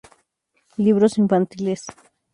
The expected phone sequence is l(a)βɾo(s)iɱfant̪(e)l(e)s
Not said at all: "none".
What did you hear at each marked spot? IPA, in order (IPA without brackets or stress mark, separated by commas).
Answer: i, s, i, e